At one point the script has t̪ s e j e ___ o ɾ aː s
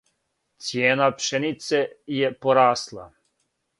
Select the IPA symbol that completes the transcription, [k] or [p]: p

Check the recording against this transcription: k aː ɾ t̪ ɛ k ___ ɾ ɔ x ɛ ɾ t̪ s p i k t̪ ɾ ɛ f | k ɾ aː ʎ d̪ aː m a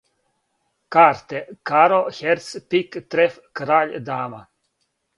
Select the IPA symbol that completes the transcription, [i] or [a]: a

